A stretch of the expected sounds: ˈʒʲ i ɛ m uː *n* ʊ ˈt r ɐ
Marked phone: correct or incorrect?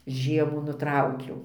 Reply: correct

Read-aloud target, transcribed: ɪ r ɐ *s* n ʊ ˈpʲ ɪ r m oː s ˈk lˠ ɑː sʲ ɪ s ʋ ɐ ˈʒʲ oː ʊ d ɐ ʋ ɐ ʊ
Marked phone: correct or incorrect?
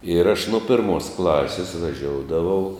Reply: incorrect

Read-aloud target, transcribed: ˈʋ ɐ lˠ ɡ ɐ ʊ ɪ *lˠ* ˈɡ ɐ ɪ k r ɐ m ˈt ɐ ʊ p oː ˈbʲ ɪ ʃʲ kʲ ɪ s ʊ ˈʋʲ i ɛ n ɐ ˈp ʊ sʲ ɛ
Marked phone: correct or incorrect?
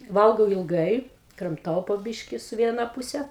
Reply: correct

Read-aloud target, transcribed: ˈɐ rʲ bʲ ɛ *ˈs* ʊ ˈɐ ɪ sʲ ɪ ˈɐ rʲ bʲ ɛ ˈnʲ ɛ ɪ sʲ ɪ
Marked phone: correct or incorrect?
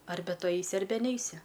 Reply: incorrect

